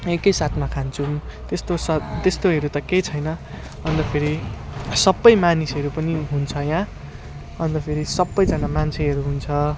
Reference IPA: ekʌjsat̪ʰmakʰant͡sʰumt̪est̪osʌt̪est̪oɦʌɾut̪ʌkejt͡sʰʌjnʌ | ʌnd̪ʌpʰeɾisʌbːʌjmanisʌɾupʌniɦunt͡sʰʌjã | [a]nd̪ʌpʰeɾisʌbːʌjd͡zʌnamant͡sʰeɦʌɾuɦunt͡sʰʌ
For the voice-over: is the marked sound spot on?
no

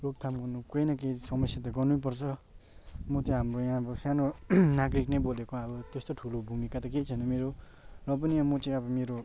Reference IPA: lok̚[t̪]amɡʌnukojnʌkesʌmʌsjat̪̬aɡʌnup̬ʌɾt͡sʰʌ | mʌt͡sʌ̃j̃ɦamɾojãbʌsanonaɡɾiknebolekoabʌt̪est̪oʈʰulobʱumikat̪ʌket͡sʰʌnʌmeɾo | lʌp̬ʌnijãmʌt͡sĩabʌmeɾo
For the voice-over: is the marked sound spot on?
no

